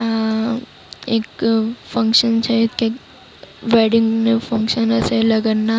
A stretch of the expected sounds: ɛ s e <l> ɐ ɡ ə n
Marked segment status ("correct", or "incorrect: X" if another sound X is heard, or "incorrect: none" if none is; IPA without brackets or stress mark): correct